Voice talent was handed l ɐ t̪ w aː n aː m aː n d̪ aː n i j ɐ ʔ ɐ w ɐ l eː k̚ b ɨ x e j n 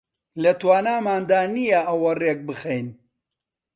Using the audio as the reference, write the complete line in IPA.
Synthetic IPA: l ɐ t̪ w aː n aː m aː n d̪ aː n i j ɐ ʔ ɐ w ɐ r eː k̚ b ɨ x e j n